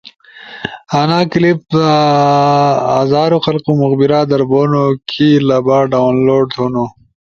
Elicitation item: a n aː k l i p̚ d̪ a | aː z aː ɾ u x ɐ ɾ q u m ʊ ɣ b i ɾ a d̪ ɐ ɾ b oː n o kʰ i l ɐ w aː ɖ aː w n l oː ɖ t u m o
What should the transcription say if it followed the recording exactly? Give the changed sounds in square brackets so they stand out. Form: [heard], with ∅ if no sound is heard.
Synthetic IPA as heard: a n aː k l i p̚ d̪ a | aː z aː ɾ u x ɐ [l] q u m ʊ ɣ b i ɾ a d̪ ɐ ɾ b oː n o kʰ i l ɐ [b] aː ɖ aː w n l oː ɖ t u [n] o